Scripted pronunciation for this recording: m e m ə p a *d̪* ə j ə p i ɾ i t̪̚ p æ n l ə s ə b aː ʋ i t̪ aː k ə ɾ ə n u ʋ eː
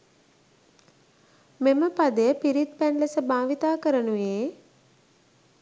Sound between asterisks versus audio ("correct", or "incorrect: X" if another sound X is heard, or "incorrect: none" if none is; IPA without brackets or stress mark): correct